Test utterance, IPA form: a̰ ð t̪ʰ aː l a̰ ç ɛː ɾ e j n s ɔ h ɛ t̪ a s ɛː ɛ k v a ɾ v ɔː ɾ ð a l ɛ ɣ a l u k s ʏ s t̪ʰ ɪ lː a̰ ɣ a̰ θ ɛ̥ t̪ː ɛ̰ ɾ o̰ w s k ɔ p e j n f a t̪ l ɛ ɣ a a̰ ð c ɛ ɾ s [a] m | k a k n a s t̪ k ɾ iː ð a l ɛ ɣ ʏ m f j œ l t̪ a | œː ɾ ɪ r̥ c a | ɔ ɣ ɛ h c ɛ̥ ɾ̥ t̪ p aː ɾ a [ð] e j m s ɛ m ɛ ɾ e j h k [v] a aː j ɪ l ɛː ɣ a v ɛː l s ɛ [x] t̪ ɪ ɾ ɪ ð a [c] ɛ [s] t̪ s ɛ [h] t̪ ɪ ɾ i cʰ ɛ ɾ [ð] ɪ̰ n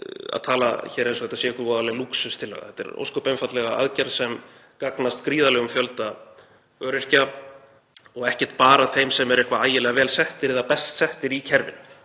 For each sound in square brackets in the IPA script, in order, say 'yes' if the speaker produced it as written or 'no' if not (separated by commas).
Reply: no, no, yes, no, no, yes, yes, no